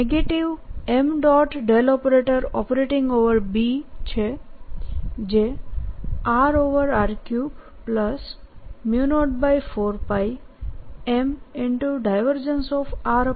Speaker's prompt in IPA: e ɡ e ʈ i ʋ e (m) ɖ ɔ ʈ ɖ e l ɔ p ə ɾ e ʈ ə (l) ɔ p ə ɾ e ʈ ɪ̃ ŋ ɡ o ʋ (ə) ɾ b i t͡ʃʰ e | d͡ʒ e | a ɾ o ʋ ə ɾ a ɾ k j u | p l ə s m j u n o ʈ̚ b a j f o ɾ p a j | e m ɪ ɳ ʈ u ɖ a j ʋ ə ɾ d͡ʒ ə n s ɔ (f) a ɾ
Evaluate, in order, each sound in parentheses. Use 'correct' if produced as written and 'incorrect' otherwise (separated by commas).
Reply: correct, incorrect, correct, correct